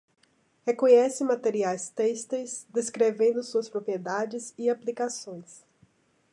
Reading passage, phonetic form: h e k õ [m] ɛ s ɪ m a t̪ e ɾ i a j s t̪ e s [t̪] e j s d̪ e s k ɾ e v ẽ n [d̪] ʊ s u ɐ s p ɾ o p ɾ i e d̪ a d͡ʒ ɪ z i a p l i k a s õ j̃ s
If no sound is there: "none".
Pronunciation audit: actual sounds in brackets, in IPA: ɲ, t̪, d̪

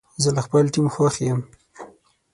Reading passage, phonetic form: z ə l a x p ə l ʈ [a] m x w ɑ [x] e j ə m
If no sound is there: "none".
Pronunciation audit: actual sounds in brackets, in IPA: i, x

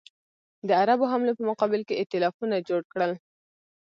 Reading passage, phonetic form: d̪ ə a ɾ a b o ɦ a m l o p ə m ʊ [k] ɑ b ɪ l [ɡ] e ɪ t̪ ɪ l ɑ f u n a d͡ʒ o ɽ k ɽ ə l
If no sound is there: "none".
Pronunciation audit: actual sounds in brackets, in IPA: q, k

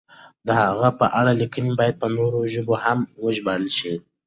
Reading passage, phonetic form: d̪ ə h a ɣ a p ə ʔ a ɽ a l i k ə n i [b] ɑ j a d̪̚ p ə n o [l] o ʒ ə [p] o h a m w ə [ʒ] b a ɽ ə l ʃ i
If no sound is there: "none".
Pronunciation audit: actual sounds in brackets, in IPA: b, ɾ, b, ʒ

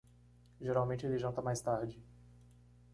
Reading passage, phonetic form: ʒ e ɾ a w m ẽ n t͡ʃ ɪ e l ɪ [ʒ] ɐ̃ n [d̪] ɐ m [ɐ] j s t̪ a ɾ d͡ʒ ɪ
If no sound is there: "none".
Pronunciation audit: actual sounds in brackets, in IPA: ʒ, t̪, a

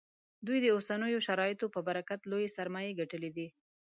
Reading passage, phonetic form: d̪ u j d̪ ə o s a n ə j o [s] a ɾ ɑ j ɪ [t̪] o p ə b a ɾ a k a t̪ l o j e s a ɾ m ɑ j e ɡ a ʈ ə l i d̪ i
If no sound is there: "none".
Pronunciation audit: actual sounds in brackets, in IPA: ʃ, t̪

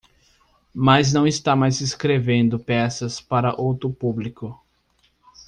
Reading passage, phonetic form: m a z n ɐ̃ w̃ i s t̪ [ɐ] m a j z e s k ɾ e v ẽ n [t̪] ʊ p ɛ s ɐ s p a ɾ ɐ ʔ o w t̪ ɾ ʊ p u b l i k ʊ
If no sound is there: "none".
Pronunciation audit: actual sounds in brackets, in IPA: a, d̪

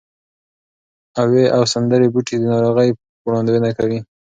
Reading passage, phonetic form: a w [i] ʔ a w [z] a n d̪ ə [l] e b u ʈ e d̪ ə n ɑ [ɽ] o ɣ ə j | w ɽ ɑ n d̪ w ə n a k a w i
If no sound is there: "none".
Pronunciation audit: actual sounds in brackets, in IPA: e, s, ɾ, ɾ

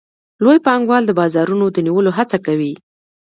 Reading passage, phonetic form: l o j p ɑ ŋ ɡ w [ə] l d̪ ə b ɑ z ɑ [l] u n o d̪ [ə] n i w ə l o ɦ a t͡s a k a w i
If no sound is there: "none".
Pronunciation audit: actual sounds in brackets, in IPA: ɑ, ɾ, ə

